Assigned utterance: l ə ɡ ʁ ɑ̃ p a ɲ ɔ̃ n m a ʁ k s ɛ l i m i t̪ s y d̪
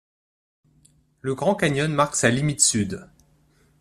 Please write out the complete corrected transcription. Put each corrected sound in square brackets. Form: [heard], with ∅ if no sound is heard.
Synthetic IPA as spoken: l ə ɡ ʁ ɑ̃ [k] a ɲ [ɔ] n m a ʁ k s [a] l i m i t̪ s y d̪